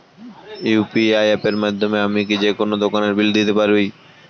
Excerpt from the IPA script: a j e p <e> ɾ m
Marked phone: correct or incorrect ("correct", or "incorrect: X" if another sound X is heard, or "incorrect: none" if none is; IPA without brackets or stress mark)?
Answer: correct